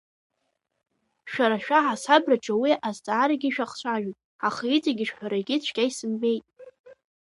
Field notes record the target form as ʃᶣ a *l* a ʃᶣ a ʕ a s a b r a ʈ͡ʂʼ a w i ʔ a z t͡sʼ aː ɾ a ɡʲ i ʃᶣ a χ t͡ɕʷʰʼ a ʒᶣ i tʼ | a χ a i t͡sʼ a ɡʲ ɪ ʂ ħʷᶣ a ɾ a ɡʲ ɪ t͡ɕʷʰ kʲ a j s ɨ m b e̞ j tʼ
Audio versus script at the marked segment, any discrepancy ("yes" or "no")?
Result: yes